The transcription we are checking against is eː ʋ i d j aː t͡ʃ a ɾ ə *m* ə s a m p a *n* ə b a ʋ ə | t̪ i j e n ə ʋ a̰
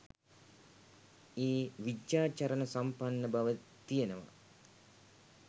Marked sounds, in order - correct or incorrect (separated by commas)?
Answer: incorrect, incorrect